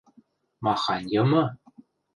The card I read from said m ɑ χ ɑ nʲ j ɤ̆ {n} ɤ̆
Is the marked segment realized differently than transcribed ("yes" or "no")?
yes